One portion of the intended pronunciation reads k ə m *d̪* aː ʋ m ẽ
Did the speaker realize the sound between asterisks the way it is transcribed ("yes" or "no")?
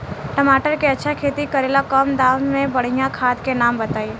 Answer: yes